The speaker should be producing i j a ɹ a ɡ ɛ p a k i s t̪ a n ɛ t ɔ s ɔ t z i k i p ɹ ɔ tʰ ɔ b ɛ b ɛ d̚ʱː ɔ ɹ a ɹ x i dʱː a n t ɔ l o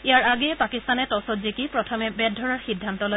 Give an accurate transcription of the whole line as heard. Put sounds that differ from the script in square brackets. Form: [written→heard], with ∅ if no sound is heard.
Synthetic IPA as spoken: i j a ɹ a ɡ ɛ p a k i s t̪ a n ɛ t ɔ s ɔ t z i k i p ɹ ɔ tʰ ɔ [b→m] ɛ b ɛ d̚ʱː ɔ ɹ a ɹ x i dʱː a n t ɔ l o